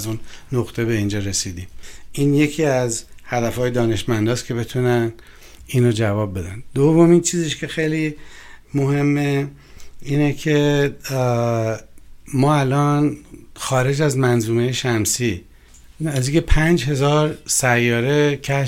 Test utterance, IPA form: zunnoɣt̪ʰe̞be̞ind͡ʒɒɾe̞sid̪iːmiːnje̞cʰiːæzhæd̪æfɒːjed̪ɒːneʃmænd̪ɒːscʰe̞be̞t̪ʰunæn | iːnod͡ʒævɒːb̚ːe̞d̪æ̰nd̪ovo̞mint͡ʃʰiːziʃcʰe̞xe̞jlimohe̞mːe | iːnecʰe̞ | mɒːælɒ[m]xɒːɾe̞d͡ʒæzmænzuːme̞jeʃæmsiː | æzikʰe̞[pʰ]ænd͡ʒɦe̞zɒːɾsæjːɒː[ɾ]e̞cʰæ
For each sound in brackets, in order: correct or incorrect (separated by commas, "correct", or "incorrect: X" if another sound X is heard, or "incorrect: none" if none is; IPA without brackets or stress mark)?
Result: incorrect: n, correct, correct